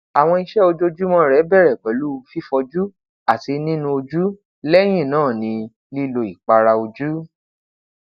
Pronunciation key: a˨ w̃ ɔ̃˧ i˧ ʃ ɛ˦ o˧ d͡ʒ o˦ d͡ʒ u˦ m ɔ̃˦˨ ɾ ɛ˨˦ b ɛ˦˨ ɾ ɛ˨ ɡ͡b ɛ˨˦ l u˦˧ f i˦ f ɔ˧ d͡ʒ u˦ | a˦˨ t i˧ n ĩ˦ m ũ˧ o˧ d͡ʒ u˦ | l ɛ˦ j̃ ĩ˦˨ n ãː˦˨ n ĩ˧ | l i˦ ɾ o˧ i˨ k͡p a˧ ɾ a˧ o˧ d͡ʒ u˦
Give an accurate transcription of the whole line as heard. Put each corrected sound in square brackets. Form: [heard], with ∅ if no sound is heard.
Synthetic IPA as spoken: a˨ w̃ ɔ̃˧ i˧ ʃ ɛ˦ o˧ d͡ʒ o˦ d͡ʒ u˦ m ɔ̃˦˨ ɾ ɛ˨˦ b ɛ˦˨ ɾ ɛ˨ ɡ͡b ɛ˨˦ l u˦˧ f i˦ f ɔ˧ d͡ʒ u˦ | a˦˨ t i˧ n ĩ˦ [n] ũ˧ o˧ d͡ʒ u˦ | l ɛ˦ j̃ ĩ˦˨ n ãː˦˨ n ĩ˧ | l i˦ [l] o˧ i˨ k͡p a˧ ɾ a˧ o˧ d͡ʒ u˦